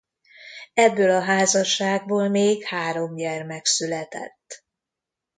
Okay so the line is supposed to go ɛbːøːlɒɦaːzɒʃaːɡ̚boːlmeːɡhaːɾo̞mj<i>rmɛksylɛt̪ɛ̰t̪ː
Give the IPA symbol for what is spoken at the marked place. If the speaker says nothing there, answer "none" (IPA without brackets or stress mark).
ɛ